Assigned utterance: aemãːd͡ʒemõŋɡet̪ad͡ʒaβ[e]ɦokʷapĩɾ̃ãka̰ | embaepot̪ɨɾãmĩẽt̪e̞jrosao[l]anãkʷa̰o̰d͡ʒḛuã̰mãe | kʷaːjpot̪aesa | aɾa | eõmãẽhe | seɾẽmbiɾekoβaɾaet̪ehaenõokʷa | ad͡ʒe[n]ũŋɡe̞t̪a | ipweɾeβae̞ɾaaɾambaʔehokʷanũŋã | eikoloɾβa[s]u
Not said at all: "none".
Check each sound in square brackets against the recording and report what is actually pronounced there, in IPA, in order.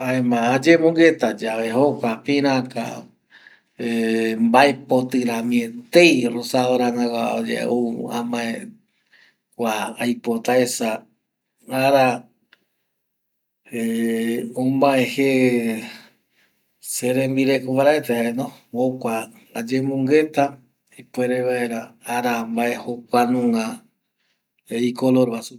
e, ɾ, m, s

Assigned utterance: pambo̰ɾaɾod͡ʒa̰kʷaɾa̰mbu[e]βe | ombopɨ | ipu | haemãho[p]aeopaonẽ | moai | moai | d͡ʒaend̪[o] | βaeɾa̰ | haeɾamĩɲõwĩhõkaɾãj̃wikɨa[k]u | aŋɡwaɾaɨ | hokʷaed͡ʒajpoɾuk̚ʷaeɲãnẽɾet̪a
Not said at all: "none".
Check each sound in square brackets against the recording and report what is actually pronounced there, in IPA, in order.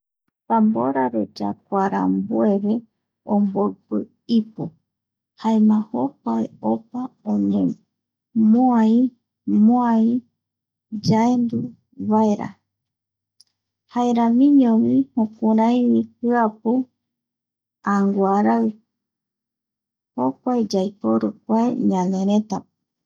e, p, u, p

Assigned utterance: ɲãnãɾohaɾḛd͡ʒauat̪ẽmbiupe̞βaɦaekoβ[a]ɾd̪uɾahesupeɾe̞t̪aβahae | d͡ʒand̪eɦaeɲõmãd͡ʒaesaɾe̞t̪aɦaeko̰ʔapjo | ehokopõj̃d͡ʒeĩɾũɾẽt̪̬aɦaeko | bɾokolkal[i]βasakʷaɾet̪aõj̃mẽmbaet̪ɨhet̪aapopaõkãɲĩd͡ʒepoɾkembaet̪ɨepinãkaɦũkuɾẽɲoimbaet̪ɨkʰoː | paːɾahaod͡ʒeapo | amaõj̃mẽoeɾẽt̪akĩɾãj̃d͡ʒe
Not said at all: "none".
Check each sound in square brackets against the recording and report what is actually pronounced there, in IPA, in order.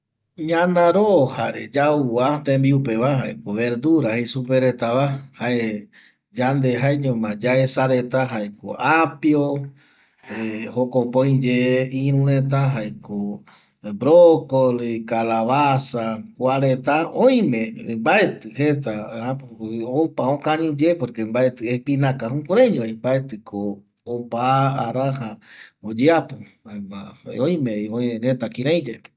e, a

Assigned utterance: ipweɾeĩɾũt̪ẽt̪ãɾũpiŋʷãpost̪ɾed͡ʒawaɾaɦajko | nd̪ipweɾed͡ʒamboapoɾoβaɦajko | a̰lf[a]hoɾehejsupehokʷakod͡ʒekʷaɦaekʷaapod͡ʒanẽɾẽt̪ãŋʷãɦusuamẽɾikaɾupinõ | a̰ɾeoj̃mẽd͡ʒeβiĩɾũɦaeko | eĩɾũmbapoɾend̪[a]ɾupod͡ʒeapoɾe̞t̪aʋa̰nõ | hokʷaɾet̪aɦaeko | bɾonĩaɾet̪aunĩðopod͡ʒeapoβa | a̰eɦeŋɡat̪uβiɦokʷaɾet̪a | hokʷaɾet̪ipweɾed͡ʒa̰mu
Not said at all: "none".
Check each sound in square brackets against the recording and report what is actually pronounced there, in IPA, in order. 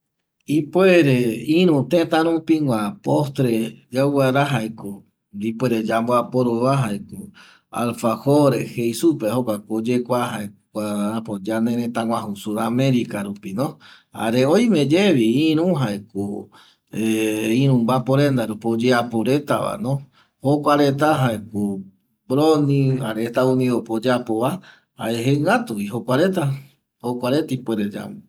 a, a

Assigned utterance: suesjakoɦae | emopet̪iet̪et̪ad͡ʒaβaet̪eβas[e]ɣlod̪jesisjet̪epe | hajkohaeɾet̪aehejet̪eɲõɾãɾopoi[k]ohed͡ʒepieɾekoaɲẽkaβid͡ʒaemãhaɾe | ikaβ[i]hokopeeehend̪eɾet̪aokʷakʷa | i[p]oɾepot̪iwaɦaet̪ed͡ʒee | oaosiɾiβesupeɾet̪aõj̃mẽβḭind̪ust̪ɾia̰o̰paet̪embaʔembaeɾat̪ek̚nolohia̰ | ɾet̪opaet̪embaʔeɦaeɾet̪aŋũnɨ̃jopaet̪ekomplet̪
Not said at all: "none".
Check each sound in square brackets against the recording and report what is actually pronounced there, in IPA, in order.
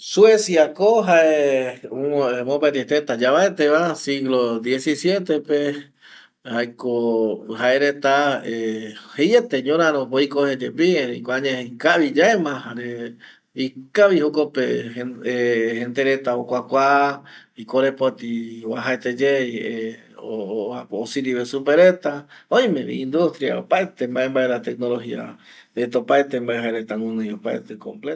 i, k, i, k

